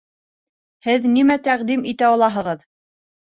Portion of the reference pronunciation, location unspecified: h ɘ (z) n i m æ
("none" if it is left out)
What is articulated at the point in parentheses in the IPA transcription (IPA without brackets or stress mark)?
ð